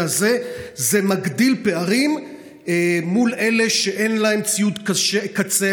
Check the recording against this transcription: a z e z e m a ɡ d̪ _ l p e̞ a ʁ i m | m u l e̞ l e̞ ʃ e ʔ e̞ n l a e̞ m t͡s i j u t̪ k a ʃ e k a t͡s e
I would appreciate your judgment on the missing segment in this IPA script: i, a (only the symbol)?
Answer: i